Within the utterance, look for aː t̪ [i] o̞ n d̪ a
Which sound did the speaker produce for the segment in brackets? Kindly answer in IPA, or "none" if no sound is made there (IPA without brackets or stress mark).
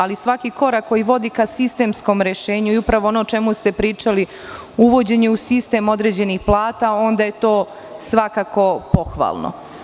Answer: a